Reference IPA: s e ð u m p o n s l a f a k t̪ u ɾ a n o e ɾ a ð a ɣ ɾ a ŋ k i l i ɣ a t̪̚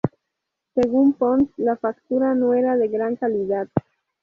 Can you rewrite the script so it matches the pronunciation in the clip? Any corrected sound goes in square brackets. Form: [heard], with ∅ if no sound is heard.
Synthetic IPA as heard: s e [ɣ] u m p o n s l a f a k t̪ u ɾ a n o e ɾ a ð [e] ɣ ɾ a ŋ k [a] l i [ð] a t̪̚